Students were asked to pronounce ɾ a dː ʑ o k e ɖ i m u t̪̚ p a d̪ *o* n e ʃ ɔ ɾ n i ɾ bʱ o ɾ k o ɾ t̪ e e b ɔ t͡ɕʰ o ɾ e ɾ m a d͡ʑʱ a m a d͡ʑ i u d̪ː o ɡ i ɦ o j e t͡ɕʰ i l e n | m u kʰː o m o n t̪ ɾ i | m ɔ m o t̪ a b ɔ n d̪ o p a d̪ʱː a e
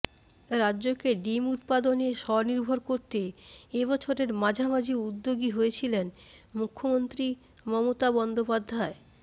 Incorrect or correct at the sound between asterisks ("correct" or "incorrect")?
correct